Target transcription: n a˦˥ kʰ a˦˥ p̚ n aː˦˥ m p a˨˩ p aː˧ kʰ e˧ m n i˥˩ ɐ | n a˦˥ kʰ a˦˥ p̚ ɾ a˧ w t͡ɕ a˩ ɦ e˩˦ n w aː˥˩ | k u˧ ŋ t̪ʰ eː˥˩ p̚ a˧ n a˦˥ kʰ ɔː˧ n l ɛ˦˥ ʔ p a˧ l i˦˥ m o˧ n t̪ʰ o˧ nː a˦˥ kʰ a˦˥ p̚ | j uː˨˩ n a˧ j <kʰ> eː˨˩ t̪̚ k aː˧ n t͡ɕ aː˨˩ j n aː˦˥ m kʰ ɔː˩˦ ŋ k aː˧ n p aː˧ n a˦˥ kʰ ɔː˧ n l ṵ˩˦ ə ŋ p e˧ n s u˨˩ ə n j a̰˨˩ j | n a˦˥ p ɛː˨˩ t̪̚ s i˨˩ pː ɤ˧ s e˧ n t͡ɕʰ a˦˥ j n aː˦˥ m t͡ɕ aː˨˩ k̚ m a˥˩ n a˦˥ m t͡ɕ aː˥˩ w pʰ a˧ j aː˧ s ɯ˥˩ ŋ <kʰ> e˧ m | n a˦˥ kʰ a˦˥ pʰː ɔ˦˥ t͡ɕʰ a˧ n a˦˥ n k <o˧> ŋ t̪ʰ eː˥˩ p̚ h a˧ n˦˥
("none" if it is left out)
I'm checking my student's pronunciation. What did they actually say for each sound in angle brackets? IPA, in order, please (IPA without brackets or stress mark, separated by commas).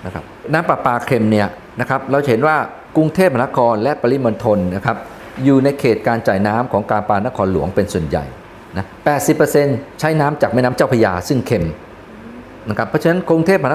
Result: kʰ, kʰ, u˧